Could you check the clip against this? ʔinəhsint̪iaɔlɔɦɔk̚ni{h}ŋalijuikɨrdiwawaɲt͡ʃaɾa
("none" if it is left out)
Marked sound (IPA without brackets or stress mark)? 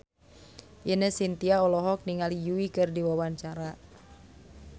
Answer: none